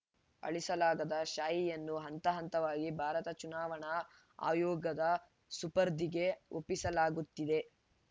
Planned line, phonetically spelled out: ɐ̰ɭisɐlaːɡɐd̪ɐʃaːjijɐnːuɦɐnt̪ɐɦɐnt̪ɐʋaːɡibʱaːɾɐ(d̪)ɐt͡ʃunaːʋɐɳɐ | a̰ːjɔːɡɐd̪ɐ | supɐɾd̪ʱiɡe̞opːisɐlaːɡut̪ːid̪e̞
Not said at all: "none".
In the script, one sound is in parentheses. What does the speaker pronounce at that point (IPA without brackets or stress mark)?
t̪